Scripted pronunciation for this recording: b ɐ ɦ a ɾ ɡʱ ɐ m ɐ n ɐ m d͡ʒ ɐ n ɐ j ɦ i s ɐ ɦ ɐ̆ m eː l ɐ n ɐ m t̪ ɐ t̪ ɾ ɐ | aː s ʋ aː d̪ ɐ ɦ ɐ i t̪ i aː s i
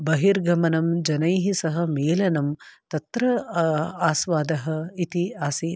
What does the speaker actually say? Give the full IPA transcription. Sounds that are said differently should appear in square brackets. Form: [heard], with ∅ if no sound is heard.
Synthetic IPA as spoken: b ɐ ɦ [i] ɾ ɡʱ ɐ m ɐ n ɐ m d͡ʒ ɐ n ɐ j ɦ i s ɐ ɦ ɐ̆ m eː l ɐ n ɐ m t̪ ɐ t̪ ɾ ɐ | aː s ʋ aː d̪ ɐ ɦ ɐ i t̪ i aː s i